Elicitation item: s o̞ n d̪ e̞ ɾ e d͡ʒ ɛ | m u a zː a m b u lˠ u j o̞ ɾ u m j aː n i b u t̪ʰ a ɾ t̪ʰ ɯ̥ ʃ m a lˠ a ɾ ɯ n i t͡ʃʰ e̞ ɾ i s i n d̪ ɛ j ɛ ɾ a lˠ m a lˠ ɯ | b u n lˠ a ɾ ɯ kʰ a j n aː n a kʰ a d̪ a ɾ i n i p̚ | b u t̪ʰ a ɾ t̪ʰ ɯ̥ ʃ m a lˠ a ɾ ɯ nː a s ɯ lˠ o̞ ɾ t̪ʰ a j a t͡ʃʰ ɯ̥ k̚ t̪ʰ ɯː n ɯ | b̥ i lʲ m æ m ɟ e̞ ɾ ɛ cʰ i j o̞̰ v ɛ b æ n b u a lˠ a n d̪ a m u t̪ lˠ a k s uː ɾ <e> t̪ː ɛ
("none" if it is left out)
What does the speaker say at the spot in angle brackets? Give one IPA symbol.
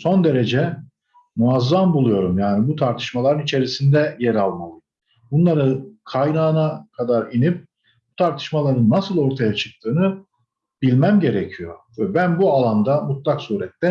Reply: ɛ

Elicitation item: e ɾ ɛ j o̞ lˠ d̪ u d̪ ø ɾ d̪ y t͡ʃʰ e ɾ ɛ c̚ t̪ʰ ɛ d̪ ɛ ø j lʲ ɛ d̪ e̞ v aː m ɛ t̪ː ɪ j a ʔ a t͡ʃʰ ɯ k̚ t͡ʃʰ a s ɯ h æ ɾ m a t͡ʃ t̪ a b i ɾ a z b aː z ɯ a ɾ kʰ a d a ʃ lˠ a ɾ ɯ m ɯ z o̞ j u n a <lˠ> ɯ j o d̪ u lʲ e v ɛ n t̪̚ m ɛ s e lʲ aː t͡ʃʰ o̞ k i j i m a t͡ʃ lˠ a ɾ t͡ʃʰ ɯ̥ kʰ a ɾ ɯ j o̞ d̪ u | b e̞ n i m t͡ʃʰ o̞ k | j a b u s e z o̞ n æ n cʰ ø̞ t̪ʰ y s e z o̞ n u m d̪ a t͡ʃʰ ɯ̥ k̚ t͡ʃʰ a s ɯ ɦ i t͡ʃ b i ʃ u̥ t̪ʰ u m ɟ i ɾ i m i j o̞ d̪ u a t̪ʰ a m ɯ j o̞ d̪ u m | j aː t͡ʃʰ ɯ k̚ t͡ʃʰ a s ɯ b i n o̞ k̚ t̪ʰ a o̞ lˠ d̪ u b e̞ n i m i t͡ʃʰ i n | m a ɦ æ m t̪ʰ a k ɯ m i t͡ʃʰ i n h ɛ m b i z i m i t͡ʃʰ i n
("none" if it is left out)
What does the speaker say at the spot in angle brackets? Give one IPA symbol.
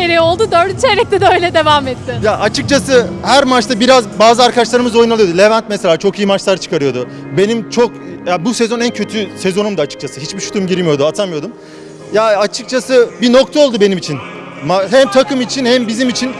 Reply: lˠ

